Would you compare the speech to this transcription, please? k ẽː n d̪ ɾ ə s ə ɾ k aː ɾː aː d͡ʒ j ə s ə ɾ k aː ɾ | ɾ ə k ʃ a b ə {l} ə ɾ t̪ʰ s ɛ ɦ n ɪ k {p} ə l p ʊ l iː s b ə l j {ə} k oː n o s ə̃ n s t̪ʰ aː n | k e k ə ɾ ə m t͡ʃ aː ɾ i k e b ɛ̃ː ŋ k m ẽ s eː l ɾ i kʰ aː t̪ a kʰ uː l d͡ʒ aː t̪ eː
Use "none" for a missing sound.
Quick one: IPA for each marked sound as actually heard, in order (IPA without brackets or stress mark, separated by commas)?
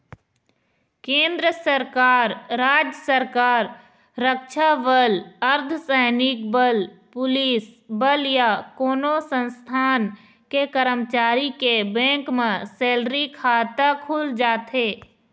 l, b, a